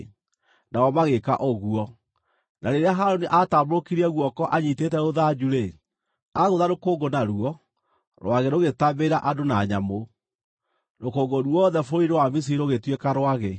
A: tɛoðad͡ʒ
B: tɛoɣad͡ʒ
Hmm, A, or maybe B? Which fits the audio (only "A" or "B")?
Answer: A